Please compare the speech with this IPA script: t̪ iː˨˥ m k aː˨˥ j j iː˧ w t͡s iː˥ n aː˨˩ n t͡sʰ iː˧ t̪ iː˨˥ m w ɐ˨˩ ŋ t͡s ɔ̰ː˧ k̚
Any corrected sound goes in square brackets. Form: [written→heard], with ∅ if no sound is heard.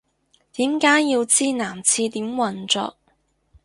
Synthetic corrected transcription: t̪ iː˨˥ m k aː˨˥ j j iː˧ w t͡s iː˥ n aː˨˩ [n→m] t͡sʰ iː˧ t̪ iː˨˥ m w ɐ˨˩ [ŋ→n] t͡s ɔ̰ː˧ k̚